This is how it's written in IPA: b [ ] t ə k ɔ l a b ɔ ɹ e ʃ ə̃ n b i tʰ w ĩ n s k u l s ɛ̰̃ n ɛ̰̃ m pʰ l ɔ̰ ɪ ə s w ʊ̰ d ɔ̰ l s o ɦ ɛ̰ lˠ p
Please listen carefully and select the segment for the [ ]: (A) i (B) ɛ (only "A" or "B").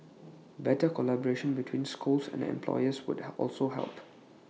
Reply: B